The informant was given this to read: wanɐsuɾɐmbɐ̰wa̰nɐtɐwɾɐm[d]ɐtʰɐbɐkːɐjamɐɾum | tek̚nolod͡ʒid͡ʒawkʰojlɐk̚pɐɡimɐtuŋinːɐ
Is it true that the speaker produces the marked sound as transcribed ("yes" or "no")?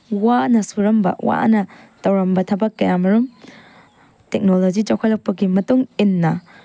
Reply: no